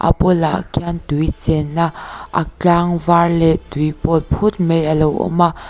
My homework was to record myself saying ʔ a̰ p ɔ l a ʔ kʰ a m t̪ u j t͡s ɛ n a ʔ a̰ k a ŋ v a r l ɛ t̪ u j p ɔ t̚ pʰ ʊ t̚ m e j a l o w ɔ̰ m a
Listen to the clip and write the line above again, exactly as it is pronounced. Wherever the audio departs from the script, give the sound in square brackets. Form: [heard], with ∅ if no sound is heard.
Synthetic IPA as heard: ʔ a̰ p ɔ l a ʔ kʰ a [n] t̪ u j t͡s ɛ n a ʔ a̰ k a ŋ v a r l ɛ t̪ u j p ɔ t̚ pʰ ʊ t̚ m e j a l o w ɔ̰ m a